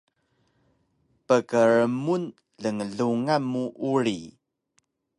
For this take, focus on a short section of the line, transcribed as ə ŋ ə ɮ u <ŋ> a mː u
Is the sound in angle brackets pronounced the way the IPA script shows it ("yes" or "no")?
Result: yes